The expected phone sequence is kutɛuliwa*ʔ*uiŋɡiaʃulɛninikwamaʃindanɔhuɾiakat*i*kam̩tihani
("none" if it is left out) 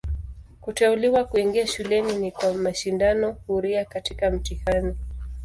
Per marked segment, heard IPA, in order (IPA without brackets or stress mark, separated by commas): k, i